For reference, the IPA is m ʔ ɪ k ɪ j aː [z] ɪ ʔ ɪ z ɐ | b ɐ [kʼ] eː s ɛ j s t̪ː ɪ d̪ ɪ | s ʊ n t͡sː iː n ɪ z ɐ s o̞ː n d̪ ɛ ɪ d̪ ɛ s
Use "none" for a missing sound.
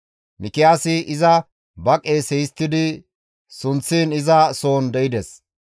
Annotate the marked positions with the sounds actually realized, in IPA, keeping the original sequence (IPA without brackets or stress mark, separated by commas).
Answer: s, kʼ